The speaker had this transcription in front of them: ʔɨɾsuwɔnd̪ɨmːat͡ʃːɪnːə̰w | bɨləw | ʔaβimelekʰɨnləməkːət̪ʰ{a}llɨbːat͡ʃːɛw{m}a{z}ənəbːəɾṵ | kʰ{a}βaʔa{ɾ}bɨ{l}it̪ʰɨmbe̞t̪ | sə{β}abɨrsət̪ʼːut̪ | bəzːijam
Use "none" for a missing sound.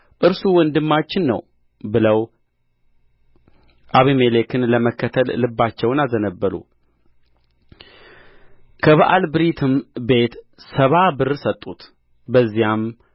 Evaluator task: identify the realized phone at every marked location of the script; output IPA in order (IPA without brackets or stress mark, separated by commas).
ə, n, z, ə, l, ɾ, β